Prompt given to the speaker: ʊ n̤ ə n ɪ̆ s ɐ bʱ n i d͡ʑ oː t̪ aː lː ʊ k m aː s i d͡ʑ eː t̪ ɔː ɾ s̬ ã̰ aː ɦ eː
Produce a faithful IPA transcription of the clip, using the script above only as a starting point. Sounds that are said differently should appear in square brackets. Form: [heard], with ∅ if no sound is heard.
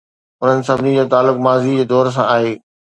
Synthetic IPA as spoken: ʊ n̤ ə n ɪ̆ s ɐ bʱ n i d͡ʑ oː t̪ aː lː ʊ k m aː [z] i d͡ʑ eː [d̪] ɔː ɾ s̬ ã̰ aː ɦ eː